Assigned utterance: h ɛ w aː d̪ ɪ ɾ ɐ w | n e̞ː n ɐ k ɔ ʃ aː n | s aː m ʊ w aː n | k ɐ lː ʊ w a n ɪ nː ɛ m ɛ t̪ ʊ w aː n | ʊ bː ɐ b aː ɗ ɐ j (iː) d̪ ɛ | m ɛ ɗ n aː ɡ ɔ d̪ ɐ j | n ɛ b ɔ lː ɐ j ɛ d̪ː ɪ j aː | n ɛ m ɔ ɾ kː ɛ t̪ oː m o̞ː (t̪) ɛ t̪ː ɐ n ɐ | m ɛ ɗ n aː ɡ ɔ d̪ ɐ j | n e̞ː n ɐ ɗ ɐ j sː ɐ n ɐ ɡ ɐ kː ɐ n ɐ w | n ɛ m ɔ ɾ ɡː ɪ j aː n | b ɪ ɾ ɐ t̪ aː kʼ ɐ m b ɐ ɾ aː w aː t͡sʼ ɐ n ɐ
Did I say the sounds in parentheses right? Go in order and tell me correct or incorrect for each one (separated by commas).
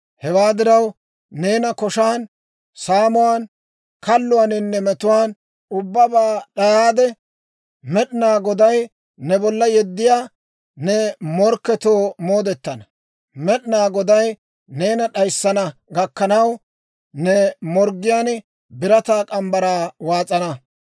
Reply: incorrect, incorrect